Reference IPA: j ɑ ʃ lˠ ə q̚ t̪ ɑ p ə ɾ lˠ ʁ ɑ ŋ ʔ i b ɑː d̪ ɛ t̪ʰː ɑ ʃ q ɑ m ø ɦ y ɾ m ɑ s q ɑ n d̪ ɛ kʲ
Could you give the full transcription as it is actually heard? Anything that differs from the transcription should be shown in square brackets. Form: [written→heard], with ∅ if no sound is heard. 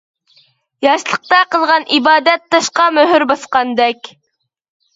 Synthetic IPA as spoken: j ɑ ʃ lˠ ə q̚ t̪ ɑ [p→q] ə [ɾ→∅] lˠ ʁ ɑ [ŋ→n] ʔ i b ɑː d̪ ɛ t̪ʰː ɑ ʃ q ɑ m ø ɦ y ɾ [m→b] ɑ s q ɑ n d̪ ɛ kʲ